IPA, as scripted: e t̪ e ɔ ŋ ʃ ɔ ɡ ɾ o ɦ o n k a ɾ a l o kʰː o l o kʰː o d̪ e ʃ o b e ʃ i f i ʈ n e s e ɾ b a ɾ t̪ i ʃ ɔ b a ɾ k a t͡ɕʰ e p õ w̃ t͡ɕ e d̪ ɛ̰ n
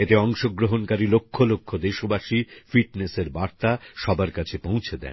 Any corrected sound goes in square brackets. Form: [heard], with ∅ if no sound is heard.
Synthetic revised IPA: e t̪ e ɔ ŋ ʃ [o] ɡ ɾ o ɦ o n k a ɾ [i] l o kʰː o l o kʰː o d̪ e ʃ o b [a] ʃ i f i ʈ n e s e ɾ b a ɾ t̪ [a] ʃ ɔ b a ɾ k a t͡ɕʰ e p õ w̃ [t͡ɕʰ] e d̪ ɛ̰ n